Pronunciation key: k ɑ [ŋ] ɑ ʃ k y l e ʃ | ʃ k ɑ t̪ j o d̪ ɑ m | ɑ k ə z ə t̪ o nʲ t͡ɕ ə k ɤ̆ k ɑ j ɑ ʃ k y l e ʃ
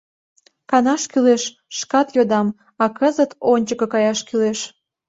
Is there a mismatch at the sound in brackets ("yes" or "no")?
yes